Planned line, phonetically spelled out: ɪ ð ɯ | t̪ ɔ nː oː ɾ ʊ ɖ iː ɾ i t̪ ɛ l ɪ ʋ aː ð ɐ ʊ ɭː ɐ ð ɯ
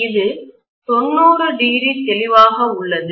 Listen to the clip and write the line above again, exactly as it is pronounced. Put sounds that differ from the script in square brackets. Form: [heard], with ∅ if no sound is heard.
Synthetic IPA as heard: ɪ ð ɯ | t̪ ɔ nː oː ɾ [ɯ] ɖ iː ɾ i t̪ ɛ l ɪ ʋ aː [ɣ] ɐ ʊ ɭː ɐ ð ɯ